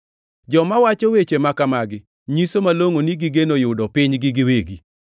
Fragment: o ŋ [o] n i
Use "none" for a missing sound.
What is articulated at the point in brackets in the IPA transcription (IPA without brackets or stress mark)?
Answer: o